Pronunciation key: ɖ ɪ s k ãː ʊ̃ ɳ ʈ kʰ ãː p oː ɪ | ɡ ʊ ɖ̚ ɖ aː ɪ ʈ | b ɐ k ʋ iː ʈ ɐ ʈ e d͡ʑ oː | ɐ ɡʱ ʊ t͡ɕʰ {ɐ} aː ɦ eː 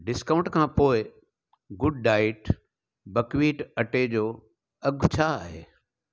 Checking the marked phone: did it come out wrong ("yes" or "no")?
yes